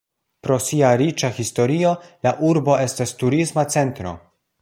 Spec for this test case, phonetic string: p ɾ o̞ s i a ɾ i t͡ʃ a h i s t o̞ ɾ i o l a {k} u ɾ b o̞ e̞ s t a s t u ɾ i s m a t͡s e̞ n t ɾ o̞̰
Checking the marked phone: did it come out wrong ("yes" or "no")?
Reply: yes